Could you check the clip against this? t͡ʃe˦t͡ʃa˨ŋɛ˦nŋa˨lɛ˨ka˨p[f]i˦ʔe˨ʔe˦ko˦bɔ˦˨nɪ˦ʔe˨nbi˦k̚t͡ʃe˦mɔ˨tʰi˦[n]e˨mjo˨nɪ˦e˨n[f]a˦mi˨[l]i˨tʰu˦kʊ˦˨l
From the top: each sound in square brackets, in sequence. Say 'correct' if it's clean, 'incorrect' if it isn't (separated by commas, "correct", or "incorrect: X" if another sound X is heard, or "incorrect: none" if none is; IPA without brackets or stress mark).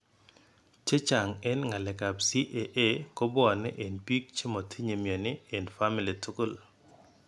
incorrect: s, incorrect: ɲ, correct, correct